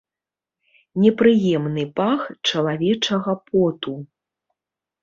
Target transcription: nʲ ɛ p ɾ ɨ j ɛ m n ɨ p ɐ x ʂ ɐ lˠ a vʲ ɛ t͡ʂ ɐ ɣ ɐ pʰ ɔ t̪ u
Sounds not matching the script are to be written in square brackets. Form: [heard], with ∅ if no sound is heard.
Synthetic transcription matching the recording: nʲ ɛ p ɾ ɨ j ɛ m n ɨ p [a] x [t͡ʂ] ɐ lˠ a vʲ ɛ t͡ʂ ɐ ɣ ɐ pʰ ɔ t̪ u